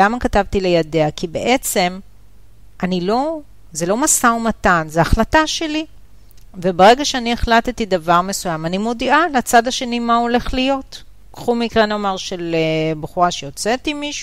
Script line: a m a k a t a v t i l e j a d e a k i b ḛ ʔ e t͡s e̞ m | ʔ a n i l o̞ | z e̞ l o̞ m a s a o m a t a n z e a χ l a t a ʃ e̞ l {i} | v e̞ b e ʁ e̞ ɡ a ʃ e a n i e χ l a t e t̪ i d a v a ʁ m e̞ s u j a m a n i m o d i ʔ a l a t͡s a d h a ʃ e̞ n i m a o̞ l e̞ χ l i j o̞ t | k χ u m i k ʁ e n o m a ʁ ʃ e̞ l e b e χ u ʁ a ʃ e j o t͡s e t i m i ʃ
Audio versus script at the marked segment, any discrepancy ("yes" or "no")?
no